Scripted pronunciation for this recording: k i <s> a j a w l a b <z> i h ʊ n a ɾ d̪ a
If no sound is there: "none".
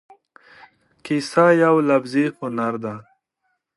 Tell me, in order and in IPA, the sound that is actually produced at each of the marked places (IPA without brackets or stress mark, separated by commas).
s, z